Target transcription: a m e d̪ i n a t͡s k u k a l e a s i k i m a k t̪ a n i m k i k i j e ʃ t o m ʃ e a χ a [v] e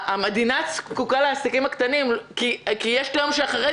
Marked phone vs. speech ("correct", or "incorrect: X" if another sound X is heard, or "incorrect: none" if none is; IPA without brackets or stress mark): incorrect: ʁ